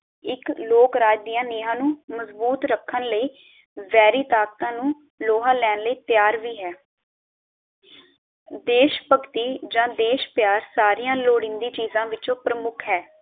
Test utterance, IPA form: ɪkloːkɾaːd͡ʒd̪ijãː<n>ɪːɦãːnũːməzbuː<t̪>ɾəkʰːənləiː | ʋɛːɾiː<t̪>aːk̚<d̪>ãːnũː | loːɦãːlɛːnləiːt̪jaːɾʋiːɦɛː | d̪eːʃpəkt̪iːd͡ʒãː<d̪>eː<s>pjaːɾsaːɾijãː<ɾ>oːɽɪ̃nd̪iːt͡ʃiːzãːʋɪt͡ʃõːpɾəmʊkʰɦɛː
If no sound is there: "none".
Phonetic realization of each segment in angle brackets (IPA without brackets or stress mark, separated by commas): n, t̪, t̪, t̪, d̪, ʃ, l